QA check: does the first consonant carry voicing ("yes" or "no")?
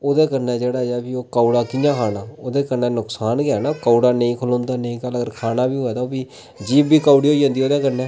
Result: yes